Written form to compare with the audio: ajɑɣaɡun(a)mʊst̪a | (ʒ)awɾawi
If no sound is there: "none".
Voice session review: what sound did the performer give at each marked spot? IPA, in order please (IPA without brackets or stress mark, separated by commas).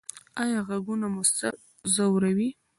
a, z